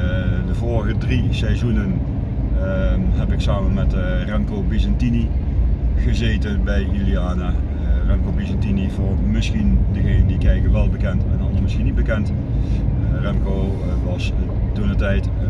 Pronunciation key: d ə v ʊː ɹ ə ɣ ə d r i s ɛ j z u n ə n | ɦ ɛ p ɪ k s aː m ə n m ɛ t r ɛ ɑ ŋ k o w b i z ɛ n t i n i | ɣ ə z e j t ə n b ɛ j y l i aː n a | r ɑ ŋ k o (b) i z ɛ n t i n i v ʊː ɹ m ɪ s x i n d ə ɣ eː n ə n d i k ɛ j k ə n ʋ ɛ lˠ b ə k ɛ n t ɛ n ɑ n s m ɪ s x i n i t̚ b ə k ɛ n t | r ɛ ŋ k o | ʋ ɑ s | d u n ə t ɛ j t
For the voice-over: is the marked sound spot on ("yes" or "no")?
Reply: yes